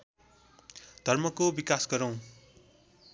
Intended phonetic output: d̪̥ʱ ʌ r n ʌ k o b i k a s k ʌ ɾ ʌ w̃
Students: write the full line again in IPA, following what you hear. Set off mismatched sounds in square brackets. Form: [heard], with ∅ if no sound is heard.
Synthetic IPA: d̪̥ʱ ʌ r [m] ʌ k o b i k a s [ɡ] ʌ ɾ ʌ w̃

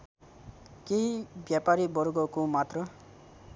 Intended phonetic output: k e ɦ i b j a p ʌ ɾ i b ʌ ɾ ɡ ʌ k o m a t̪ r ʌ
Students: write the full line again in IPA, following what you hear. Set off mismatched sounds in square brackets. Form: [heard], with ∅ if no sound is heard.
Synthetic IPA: k e ɦ i b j a p [a] ɾ i b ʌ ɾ ɡ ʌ k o m a t̪ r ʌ

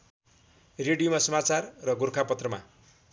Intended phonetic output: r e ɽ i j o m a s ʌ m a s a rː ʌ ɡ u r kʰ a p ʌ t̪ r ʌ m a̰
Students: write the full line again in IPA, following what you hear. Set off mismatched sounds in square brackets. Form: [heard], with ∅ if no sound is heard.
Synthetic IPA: r e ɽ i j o m a s ʌ m a [t͡s] a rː ʌ ɡ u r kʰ a p ʌ t̪ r ʌ m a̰

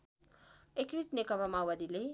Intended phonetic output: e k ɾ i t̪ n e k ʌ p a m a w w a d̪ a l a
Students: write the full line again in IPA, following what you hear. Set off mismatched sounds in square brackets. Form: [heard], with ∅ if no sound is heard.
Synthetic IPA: e k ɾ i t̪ n e k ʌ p a m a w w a d̪ [i] l [e]

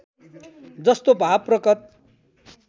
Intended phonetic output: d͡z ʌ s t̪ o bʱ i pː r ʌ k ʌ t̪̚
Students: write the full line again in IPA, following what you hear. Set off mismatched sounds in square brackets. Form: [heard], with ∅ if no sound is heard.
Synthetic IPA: d͡z ʌ s t̪ o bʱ [a] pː r ʌ k ʌ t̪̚

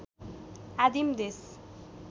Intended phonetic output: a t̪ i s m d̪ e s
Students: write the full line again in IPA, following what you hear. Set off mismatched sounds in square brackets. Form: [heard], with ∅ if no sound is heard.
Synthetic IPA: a [d̪] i [∅] m d̪ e s

